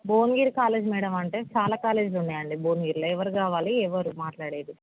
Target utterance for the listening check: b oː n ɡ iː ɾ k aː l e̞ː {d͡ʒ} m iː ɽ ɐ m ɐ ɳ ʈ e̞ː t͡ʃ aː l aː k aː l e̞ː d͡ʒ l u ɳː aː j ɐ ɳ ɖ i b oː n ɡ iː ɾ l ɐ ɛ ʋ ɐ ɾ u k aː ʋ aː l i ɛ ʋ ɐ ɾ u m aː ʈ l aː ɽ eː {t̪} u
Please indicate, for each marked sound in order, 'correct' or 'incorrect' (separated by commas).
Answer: correct, incorrect